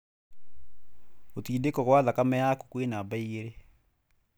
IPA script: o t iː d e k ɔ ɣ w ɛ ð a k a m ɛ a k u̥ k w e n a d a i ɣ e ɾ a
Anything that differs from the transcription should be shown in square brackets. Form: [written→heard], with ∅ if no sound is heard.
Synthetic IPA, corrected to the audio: o t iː d e k ɔ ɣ w [ɛ→a] ð a k a m ɛ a k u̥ k w e n a [d→b] a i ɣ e ɾ [a→e]